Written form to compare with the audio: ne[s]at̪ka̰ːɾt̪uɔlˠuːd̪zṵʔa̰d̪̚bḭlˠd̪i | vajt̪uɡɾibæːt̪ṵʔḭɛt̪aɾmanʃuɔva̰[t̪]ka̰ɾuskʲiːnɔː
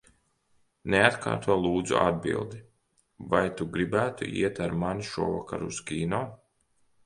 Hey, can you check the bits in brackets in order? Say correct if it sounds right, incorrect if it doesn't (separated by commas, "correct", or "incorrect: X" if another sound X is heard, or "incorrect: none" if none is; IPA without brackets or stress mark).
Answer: incorrect: none, incorrect: none